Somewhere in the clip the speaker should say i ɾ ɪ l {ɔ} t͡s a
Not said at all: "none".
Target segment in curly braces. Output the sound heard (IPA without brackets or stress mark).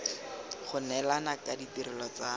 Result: ɔ